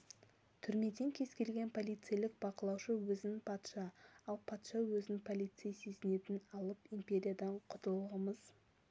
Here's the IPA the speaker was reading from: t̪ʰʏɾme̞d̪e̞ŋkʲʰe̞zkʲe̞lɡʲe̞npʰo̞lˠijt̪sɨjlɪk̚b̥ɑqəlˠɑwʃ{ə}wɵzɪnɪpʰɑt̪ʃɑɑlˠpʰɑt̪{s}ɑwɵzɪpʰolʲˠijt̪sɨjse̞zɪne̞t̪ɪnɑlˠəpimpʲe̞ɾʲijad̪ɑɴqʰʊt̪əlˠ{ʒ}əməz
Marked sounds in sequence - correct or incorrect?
correct, incorrect, incorrect

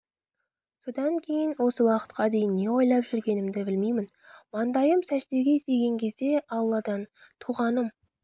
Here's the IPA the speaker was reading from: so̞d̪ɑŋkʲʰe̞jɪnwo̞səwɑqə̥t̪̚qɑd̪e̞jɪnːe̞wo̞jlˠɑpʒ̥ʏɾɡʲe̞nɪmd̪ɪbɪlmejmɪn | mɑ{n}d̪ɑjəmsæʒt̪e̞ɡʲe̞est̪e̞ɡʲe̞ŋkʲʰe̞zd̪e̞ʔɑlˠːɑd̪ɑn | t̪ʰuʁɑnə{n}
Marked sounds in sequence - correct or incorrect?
correct, incorrect

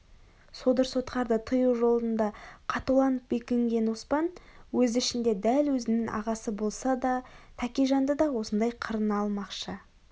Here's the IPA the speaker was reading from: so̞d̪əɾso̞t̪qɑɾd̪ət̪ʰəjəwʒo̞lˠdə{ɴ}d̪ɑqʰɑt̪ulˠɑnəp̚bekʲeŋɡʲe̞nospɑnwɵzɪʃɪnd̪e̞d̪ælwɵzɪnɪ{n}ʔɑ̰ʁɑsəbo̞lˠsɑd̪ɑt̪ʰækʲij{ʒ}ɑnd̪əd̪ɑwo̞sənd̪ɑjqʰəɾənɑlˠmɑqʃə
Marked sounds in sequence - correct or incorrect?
incorrect, incorrect, correct

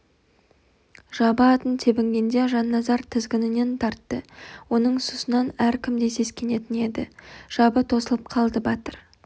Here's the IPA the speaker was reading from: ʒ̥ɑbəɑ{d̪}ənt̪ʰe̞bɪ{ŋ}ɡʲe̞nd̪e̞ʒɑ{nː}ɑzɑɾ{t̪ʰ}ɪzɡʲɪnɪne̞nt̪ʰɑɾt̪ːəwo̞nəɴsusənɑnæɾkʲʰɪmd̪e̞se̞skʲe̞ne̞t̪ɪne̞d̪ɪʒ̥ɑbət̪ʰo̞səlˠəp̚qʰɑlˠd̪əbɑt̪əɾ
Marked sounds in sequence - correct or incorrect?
incorrect, correct, correct, correct

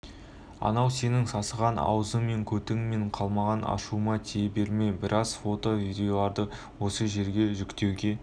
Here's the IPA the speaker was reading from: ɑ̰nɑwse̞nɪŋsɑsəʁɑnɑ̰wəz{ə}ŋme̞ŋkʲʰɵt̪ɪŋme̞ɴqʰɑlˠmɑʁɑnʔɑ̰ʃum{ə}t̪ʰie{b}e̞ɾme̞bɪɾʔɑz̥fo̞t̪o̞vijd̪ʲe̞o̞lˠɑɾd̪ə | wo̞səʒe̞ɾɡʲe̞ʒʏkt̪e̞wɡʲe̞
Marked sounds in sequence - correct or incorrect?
correct, incorrect, correct

